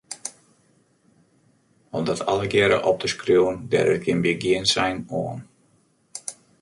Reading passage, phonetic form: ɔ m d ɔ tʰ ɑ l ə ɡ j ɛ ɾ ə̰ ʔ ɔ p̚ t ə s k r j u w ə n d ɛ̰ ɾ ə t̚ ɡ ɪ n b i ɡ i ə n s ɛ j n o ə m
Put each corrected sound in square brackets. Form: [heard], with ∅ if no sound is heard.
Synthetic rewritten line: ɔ m d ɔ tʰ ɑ l ə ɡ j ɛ ɾ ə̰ ʔ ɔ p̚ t ə s k r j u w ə n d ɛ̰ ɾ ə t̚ ɡ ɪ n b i ɡ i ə n s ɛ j n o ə [n]